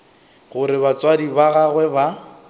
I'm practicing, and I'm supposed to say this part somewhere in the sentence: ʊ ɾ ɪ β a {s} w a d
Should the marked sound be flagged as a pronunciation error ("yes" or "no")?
yes